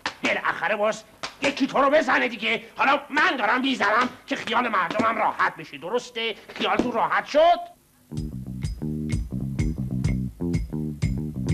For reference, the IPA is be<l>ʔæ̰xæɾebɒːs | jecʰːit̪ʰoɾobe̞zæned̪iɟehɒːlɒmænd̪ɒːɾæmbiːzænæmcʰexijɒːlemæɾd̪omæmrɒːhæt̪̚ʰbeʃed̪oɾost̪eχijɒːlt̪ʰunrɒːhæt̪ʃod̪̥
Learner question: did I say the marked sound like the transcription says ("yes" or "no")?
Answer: yes